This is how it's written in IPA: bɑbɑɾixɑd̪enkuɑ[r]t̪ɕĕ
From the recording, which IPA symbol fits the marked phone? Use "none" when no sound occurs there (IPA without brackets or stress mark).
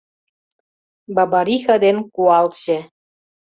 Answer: l